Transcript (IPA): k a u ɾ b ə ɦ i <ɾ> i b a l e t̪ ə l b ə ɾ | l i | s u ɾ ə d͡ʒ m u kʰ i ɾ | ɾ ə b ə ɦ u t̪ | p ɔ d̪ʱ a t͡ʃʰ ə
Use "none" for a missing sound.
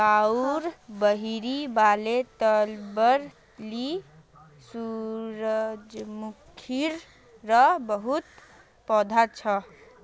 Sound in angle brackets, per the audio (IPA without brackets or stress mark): ɾ